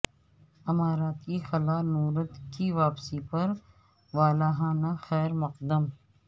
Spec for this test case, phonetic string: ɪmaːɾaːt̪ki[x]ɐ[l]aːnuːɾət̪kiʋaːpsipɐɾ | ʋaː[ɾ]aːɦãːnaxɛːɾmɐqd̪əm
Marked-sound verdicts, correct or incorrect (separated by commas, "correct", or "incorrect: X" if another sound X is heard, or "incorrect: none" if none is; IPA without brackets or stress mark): correct, correct, incorrect: l